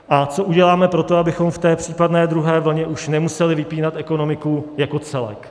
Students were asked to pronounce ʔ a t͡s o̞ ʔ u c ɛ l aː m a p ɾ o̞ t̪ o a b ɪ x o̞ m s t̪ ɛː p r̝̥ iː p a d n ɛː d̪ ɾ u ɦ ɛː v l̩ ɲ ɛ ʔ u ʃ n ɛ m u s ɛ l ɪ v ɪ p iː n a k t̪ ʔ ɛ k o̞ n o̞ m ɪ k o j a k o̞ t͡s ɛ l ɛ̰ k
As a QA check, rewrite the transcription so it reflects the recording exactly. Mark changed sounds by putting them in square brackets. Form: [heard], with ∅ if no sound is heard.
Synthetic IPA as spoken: ʔ a t͡s o̞ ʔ u [ɟ] ɛ l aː m [ɛ] p ɾ o̞ t̪ o a b ɪ x o̞ m [f] t̪ ɛː p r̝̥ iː p a d n ɛː d̪ ɾ u ɦ ɛː v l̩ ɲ ɛ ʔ u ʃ n ɛ m u s ɛ l ɪ v ɪ p iː n a [∅] t̪ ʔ ɛ k o̞ n o̞ m ɪ k [u] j a k o̞ t͡s ɛ l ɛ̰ k